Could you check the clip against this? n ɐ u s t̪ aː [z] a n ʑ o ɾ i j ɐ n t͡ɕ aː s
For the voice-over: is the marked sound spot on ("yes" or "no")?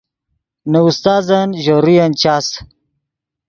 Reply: yes